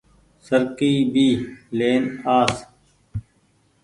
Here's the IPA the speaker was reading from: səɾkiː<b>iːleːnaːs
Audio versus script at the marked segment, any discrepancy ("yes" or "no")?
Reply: no